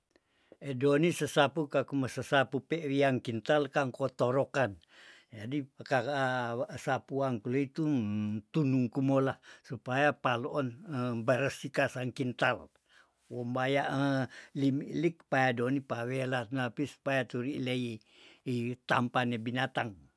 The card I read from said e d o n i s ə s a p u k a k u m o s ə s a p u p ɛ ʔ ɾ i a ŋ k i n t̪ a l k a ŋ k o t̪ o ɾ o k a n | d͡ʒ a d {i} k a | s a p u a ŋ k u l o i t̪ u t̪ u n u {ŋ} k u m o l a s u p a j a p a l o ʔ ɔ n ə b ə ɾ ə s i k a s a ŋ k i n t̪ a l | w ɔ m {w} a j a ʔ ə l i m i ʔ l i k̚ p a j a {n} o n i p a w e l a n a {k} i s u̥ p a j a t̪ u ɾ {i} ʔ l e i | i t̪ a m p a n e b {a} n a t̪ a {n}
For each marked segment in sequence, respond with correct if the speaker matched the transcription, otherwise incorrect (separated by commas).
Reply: correct, correct, incorrect, incorrect, incorrect, correct, incorrect, incorrect